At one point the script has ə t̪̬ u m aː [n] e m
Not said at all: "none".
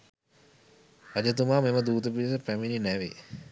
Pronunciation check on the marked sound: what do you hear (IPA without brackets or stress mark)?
m